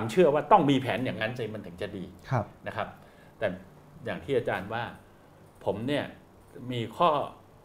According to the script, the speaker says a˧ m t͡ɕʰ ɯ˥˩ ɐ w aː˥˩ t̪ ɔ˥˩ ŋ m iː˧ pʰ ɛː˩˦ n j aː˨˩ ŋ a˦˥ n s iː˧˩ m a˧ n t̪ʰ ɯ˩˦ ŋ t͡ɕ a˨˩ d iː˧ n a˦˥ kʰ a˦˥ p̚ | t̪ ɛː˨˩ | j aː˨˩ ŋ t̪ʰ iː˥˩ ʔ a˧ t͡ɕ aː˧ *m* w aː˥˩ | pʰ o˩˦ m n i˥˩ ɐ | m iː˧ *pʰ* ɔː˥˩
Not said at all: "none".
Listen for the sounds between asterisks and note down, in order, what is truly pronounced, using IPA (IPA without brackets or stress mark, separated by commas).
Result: n, kʰ